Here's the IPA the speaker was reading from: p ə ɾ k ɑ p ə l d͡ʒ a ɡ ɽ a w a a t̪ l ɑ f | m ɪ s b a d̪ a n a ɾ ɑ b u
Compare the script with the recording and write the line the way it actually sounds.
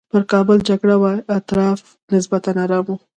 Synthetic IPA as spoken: p ə ɾ k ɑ b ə l d͡ʒ a ɡ ɽ a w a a t̪ ɾ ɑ f | n ɪ s b a t̪ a n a ɾ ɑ m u